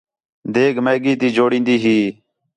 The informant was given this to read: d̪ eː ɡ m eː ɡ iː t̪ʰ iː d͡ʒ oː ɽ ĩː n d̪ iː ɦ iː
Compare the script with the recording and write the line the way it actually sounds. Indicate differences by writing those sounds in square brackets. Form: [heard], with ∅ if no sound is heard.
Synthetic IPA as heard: d̪ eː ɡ m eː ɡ iː [t̪] iː d͡ʒ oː ɽ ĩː n d̪ iː ɦ iː

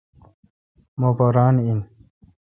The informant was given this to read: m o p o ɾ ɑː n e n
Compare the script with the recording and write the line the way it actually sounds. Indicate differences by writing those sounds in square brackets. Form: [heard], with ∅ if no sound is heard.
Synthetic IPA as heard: m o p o ɾ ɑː n [i] n

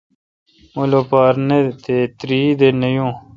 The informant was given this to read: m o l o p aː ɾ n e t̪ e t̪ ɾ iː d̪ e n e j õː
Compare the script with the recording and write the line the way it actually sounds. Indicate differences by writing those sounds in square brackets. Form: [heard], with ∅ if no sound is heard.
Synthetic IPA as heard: m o l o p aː ɾ n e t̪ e t̪ ɾ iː d̪ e n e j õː

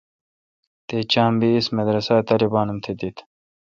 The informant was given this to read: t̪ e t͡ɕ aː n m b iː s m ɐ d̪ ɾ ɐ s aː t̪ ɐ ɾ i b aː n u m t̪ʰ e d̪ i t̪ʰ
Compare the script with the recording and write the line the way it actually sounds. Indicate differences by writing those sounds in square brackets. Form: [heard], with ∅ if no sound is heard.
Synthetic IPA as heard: t̪ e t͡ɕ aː [∅] m b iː s m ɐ d̪ ɾ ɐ s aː t̪ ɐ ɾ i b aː n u m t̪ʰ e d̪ i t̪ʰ

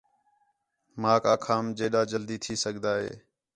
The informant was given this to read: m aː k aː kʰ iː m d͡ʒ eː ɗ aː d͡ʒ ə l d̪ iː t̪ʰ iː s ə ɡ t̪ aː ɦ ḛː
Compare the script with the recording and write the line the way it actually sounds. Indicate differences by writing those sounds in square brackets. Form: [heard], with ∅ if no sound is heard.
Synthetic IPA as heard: m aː k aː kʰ [aː] m d͡ʒ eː ɗ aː d͡ʒ ə l d̪ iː t̪ʰ iː s ə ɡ [d̪] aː ɦ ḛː

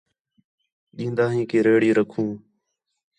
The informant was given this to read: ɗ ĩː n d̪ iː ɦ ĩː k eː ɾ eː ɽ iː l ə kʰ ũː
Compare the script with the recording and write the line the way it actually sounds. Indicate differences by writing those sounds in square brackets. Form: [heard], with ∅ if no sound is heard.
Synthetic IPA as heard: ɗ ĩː n d̪ [aː] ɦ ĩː k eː ɾ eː ɽ iː [ɾ] ə kʰ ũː

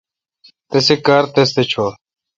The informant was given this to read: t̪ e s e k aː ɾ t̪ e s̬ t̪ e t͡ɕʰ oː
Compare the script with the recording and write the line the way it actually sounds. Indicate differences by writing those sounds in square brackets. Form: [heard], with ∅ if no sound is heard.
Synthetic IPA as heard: t̪ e s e k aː ɾ t̪ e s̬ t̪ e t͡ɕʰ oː

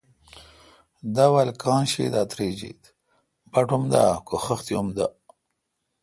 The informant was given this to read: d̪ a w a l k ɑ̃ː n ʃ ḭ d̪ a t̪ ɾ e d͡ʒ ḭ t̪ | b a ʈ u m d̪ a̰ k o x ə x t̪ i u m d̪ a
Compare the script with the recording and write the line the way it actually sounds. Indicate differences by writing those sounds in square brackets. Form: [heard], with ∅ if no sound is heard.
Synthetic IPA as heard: d̪ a w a l k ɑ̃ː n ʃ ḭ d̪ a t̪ ɾ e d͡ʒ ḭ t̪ | b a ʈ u m d̪ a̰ k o x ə x t̪ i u m d̪ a

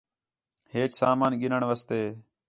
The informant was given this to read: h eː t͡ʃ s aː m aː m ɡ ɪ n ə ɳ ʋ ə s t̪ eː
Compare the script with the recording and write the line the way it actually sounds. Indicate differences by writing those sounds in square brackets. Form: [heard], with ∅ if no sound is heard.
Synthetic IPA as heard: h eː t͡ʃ s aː m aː [n] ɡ ɪ n ə ɳ ʋ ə s t̪ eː

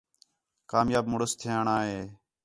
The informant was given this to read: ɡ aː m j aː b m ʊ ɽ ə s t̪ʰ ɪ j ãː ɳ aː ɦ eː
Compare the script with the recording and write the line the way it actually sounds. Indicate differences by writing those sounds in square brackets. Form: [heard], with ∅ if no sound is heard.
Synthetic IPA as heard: [k] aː m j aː b m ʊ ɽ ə s t̪ʰ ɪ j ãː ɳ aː ɦ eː

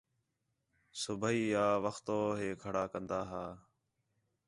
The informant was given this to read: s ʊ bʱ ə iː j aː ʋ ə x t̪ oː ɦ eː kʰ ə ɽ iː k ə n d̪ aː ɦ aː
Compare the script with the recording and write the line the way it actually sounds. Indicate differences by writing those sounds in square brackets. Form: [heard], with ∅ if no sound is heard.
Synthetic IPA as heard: s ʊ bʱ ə iː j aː ʋ ə x t̪ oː ɦ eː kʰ ə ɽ [aː] k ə n d̪ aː ɦ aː

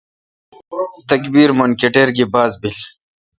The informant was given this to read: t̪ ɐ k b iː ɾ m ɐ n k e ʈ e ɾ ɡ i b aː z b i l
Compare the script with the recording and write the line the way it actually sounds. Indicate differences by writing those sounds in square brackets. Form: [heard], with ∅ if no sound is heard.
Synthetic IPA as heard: t̪ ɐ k b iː ɾ m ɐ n k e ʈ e ɾ ɡ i b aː z b i l

